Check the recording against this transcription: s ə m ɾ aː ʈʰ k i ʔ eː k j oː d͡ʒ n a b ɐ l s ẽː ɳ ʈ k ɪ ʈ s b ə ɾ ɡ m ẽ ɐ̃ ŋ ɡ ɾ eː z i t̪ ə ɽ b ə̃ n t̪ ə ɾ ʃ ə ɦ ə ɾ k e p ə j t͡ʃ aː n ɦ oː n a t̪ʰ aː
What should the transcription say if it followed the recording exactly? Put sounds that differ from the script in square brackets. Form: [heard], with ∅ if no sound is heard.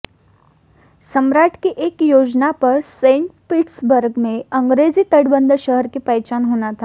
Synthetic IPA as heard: s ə m ɾ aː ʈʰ k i ʔ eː k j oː d͡ʒ n a [p] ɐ [ɾ] s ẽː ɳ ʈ [p] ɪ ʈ s b ə ɾ ɡ m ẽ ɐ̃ ŋ ɡ ɾ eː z i t̪ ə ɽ b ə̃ n [d̪] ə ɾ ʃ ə ɦ ə ɾ k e p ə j t͡ʃ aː n ɦ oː n a t̪ʰ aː